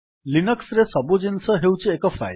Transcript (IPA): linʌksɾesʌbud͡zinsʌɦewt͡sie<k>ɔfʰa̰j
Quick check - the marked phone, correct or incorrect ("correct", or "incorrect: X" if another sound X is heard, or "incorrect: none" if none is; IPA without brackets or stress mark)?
correct